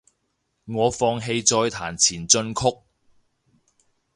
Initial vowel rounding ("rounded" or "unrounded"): rounded